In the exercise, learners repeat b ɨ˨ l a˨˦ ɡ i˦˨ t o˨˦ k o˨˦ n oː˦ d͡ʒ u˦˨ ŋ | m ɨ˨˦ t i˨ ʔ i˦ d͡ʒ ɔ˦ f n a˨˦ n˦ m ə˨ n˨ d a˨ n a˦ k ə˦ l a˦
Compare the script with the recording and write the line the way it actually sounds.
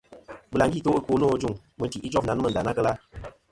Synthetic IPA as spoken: b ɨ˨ l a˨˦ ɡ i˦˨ t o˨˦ k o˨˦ n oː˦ d͡ʒ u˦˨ ŋ | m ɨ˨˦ t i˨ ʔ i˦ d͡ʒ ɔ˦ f n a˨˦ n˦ m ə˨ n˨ d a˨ n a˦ k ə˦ l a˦